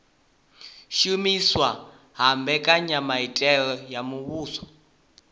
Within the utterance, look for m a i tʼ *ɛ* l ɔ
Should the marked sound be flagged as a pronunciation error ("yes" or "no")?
no